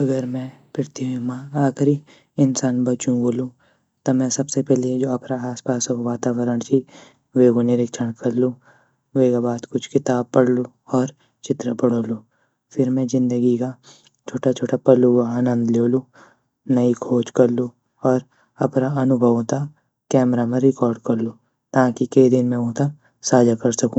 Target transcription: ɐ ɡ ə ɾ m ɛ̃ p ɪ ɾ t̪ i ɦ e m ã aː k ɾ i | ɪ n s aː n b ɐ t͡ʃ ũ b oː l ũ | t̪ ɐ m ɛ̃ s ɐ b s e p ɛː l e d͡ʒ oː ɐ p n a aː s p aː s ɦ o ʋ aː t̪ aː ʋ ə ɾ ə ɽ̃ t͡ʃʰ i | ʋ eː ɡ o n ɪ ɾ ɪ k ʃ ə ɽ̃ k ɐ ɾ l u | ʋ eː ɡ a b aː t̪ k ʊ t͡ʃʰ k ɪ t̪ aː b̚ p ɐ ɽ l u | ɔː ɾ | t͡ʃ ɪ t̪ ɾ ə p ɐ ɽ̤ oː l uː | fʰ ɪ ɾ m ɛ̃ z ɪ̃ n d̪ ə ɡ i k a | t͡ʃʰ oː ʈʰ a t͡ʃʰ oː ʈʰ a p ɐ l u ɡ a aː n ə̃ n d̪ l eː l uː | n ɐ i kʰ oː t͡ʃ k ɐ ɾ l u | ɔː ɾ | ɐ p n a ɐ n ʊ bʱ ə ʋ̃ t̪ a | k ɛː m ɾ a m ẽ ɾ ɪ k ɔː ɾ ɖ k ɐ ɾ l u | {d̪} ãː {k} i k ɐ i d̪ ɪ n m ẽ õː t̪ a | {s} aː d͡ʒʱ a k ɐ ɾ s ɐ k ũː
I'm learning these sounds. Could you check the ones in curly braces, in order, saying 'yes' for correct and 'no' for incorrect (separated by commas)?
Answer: no, yes, yes